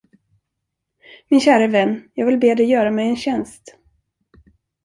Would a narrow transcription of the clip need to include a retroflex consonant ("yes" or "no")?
no